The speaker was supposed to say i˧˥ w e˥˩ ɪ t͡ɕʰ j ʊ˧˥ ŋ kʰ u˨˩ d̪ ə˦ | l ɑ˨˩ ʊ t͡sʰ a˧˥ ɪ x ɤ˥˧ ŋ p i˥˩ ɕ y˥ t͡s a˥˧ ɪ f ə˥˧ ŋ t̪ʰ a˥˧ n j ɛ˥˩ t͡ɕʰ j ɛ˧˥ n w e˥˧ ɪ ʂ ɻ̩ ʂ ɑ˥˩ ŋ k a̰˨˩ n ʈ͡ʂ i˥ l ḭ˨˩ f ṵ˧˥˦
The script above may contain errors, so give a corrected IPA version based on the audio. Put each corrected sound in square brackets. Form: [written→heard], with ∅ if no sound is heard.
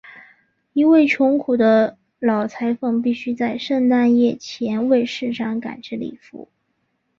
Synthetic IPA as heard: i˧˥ w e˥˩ ɪ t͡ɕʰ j ʊ˧˥ ŋ kʰ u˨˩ d̪ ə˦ | l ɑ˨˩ ʊ t͡sʰ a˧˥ ɪ [x→f] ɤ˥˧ ŋ p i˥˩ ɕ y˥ t͡s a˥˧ ɪ [f→ʂ] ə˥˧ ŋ [t̪ʰ→t̪] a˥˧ n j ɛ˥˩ t͡ɕʰ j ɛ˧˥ n w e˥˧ ɪ ʂ ɻ̩ ʂ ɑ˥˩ ŋ k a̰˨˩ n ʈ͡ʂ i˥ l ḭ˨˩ f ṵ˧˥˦